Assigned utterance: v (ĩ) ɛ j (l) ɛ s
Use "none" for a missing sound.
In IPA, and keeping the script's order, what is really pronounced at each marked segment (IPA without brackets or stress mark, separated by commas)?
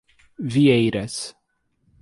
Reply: i, ɾ